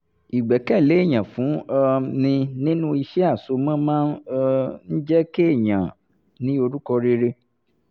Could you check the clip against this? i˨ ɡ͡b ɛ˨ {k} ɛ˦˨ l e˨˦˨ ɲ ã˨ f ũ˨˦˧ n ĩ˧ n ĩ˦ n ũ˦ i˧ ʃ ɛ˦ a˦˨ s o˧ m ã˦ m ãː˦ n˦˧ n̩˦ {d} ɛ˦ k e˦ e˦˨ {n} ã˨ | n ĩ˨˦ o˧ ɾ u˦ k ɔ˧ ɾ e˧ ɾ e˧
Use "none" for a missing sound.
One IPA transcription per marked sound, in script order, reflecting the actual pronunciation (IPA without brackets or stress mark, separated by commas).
k, d͡ʒ, ɲ